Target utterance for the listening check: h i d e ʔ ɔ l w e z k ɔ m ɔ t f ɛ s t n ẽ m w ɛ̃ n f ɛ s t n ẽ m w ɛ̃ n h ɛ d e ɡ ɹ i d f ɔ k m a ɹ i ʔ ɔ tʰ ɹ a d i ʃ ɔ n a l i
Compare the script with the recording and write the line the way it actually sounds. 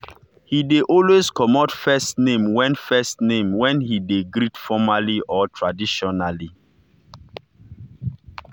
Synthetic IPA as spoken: h i d e ʔ ɔ l w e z k ɔ m ɔ t f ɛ s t n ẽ m w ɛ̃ n f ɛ s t n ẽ m w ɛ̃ n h i d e ɡ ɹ i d f ɔ m a l i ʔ ɔ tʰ ɹ a d i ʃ ɔ n a l i